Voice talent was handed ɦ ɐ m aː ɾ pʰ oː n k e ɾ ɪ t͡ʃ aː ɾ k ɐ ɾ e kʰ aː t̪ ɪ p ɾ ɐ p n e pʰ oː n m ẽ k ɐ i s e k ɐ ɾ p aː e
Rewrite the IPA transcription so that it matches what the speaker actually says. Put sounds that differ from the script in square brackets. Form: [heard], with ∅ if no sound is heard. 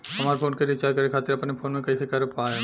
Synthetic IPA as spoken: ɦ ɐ m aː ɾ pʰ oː n k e ɾ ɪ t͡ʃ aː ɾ k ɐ ɾ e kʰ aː t̪ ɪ [∅] ɾ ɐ p n e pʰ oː n m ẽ k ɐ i s e k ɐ ɾ p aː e